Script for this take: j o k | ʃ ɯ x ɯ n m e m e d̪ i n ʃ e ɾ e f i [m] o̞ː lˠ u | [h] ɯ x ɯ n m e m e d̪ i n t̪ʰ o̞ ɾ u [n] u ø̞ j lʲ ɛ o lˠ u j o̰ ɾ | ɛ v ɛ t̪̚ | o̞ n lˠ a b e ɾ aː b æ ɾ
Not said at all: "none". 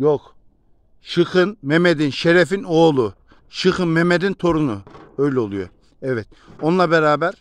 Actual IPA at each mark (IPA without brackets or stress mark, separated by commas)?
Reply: n, ʃ, n